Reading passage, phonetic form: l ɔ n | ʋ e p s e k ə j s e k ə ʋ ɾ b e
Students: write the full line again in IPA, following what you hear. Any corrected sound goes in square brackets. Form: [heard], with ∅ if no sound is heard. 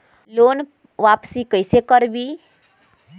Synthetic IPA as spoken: l [o] n | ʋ [a] p s [i] k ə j s e k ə [∅] ɾ b [i]

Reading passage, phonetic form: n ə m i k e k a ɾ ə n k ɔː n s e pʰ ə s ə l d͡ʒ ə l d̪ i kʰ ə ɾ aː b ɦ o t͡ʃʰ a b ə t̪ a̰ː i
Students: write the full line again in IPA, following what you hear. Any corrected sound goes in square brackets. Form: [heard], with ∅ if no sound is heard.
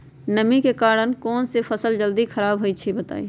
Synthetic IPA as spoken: n ə m i k e k a ɾ ə n k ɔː n s e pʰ ə s ə l d͡ʒ ə l d̪ i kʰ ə ɾ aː b ɦ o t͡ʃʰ [i] b ə t̪ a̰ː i

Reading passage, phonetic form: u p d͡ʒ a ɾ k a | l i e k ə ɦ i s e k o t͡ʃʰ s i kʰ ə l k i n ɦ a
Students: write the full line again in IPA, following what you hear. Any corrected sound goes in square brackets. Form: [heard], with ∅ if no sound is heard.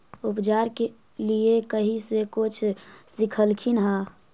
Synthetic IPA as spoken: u p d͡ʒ a ɾ k [e] | l i e k ə ɦ i s e k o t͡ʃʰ s i kʰ ə l [kʰ] i n ɦ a

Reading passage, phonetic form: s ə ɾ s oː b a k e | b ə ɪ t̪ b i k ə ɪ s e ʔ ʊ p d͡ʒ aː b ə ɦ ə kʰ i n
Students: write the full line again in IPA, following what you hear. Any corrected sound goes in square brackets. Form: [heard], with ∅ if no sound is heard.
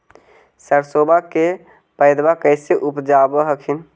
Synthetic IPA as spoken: s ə ɾ s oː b a k e | [p] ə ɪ [d̪] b [a] k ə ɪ s e ʔ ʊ p d͡ʒ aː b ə ɦ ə kʰ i n

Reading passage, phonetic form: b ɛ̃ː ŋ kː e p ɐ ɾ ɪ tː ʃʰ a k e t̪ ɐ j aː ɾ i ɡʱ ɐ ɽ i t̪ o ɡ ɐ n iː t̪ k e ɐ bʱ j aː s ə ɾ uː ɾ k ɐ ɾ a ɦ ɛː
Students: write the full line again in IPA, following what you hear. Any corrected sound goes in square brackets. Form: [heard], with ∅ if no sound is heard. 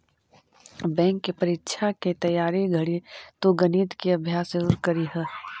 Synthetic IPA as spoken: b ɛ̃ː ŋ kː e p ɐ ɾ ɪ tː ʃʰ a k e t̪ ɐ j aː ɾ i ɡʱ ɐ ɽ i t̪ o ɡ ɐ n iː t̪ k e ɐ bʱ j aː s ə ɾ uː ɾ k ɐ ɾ [i] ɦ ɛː

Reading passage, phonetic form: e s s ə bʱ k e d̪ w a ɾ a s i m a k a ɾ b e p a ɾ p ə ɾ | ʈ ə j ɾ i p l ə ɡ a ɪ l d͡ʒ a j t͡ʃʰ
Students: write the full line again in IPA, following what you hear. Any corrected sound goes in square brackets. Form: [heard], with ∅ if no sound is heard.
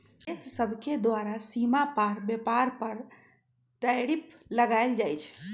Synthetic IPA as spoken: e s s ə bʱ k e d̪ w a ɾ a s i m a [p] a ɾ b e p a ɾ p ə ɾ | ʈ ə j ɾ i p l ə ɡ a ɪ l d͡ʒ a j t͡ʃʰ

